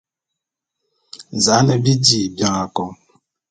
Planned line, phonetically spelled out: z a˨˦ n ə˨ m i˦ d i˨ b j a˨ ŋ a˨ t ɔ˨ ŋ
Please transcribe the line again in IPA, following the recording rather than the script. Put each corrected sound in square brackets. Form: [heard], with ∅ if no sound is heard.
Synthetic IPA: z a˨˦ n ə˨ [b] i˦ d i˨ b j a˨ ŋ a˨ [k] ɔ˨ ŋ